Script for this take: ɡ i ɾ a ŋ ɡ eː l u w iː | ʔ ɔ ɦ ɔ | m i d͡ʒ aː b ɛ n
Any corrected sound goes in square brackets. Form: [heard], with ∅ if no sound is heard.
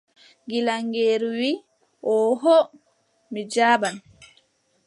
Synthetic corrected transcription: ɡ i [l] a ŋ ɡ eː [ɾ] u w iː | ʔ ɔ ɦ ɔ | m i d͡ʒ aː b [a] n